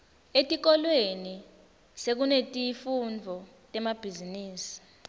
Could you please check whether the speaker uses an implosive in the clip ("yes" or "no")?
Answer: no